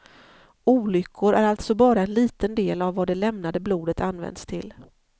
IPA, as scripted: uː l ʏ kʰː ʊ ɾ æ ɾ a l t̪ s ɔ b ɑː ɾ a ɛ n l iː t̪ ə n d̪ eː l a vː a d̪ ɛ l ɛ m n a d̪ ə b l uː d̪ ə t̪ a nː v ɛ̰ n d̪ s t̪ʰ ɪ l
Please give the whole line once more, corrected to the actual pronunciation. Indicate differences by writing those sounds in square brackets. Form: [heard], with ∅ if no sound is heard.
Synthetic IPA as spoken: uː l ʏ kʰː ʊ ɾ æ ɾ a l t̪ s ɔ b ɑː ɾ a ɛ n l iː t̪ ə n d̪ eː l a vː a d̪ ɛ l ɛ m n a d̪ ə b l uː d̪ ə t̪ a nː v ɛ̰ n d̪ s t̪ʰ ɪ l